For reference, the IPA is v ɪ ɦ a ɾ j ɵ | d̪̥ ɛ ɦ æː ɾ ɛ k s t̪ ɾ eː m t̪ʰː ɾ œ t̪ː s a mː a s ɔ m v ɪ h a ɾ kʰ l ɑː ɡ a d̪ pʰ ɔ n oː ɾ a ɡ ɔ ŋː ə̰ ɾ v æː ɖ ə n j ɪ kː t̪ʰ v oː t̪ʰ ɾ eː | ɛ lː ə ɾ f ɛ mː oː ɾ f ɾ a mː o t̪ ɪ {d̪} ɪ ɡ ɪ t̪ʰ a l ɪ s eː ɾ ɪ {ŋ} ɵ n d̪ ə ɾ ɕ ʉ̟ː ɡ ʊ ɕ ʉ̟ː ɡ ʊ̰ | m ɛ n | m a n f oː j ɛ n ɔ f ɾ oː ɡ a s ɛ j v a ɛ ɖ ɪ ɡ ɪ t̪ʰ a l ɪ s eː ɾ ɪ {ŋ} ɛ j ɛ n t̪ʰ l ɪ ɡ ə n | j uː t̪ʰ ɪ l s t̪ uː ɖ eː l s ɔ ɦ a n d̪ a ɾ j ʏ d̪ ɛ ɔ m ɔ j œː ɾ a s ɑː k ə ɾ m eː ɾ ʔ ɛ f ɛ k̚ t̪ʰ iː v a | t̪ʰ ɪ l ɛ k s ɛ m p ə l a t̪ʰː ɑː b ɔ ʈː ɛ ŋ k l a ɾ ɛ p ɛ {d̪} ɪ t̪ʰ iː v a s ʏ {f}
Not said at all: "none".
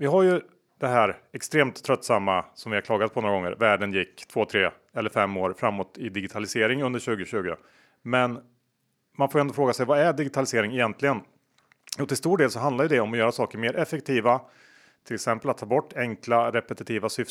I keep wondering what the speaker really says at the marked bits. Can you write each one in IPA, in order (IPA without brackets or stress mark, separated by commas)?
d̪, ŋ, ŋ, t̪, f